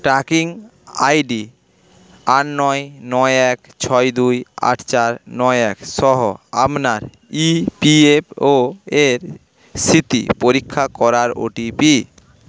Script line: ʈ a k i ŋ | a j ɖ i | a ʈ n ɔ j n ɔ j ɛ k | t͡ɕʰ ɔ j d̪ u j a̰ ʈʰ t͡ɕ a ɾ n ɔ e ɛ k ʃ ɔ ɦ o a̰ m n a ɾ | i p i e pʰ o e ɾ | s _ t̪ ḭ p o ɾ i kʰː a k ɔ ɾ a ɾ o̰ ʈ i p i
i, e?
i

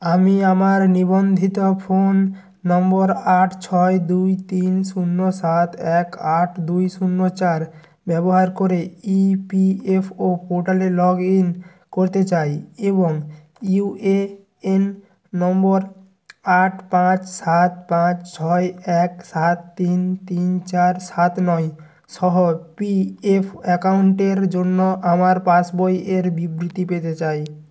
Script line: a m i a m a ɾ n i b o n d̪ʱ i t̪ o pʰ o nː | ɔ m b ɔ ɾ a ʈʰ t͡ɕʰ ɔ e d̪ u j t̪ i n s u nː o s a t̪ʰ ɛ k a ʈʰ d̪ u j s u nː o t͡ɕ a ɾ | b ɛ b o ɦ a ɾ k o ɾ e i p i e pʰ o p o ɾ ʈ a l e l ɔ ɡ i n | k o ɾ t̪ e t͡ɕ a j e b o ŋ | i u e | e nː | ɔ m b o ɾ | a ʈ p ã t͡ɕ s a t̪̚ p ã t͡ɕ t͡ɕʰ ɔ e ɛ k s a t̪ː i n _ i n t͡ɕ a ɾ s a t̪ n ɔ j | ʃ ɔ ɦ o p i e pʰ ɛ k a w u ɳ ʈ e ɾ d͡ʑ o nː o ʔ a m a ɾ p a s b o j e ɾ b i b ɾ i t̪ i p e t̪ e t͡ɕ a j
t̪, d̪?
t̪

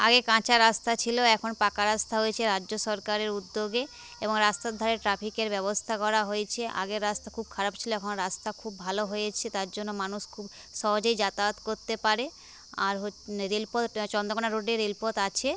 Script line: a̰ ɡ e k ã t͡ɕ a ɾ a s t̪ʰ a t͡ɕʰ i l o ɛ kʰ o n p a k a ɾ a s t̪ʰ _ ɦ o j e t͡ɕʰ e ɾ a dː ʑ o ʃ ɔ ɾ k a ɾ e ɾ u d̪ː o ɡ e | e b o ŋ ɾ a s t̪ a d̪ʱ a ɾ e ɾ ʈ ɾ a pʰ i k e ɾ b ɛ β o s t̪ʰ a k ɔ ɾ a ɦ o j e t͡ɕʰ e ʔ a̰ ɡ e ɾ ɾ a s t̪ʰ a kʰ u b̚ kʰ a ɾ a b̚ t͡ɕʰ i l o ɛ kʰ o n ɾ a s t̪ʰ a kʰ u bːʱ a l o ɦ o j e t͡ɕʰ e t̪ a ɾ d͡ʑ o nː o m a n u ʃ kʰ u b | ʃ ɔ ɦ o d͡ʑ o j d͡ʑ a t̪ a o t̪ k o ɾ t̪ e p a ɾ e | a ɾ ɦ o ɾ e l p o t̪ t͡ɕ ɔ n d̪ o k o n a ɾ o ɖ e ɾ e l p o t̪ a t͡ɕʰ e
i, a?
a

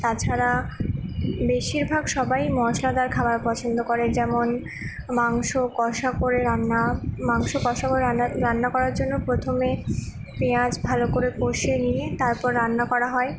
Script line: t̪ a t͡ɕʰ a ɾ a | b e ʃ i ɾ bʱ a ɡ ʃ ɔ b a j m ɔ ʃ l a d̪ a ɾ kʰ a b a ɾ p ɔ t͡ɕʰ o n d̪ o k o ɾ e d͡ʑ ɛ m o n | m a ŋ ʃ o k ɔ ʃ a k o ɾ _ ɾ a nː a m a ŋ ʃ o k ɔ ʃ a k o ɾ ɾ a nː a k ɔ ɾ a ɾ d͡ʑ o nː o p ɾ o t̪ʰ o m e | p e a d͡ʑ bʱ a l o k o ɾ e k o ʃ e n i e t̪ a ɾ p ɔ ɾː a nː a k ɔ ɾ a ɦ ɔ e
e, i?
e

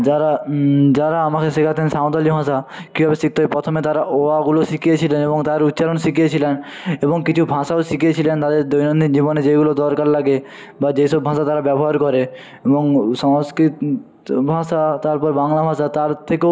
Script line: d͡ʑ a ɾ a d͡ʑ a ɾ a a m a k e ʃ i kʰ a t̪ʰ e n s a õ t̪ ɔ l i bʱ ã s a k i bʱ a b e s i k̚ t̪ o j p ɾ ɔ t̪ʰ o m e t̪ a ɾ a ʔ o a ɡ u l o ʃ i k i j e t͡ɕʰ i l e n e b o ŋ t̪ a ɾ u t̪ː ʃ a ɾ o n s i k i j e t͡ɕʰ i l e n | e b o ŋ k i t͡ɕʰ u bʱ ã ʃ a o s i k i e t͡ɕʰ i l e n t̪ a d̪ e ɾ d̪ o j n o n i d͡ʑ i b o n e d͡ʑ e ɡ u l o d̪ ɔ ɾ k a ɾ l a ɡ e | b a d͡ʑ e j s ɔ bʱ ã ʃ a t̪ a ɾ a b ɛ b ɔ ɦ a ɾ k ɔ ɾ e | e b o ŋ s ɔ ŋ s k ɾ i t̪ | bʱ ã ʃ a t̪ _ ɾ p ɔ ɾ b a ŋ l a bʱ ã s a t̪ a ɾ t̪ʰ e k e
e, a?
a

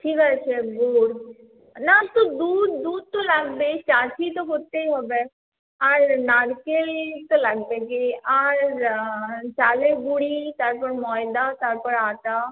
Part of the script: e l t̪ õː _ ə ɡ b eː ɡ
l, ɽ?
l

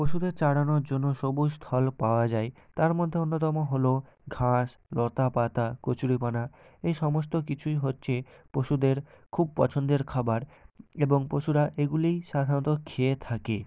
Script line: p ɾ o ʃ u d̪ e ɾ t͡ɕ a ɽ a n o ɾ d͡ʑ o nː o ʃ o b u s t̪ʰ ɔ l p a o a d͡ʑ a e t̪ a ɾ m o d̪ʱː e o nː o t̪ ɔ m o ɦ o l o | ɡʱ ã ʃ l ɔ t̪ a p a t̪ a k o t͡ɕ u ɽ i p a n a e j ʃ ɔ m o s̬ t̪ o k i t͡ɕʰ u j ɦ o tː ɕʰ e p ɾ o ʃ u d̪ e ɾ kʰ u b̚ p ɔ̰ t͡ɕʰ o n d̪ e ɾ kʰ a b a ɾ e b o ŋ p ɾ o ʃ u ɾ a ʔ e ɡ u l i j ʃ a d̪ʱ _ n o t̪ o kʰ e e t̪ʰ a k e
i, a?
a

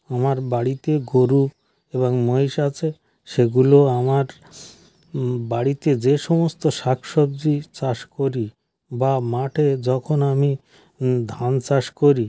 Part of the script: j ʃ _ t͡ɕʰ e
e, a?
a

